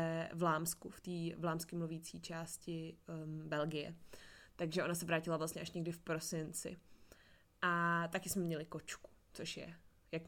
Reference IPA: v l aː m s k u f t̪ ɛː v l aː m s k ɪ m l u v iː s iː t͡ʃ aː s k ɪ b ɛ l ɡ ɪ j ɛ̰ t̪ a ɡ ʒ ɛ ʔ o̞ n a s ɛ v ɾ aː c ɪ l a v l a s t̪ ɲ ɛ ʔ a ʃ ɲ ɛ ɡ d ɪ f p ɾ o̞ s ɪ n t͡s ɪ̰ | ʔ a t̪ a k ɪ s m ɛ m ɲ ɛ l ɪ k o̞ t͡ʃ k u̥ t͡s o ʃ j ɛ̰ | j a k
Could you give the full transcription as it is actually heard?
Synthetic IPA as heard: v l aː m s k u f t̪ iː v l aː m s k ɪ m l u v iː t͡s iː t͡ʃ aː s c ɪ b ɛ l ɡ ɪ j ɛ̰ t̪ a ɡ ʒ ɛ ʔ o̞ n a s ɛ v ɾ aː c ɪ l a v l a s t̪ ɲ ɛ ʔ a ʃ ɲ ɛ ɡ d ɪ f p ɾ o̞ s ɪ n t͡s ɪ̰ | ʔ a t̪ a k ɪ s m ɛ m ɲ ɛ l ɪ k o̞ t͡ʃ k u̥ t͡s o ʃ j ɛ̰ | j a k